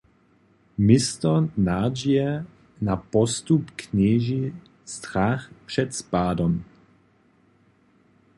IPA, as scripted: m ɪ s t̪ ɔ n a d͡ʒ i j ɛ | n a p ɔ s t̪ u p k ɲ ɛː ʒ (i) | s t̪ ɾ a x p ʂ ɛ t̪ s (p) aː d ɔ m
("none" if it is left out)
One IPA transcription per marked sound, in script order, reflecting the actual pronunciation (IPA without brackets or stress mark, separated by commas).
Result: i, p